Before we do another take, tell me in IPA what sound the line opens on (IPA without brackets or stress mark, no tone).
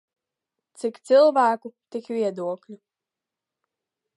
t̪